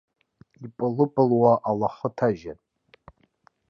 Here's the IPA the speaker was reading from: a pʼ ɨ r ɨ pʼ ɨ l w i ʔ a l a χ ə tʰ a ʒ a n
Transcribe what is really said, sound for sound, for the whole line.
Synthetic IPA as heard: i pʼ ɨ l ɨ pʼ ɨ l w a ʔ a l a χ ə tʰ a ʒ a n